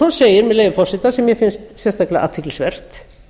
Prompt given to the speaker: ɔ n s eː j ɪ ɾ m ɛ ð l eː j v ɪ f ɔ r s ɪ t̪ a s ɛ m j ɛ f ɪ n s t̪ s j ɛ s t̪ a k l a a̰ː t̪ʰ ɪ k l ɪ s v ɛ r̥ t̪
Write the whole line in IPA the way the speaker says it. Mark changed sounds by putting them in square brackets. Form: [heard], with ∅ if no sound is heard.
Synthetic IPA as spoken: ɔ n s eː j ɪ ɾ m ɛ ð l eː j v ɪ f ɔ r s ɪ t̪ a s ɛ m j ɛ f ɪ n s t̪ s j ɛ s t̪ a k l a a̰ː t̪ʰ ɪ k l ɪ s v ɛ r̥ t̪